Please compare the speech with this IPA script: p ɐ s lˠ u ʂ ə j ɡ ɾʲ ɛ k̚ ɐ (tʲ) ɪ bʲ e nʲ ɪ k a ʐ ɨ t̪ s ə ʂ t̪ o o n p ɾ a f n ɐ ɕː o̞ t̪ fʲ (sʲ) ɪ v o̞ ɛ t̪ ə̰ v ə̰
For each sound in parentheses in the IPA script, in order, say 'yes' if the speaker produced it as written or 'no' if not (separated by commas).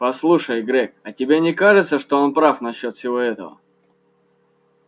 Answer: yes, yes